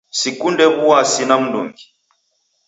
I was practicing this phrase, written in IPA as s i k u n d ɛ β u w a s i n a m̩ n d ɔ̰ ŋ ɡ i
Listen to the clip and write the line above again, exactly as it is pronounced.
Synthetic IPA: s i k u n d ɛ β u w a s i n a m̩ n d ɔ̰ ŋ ɡ i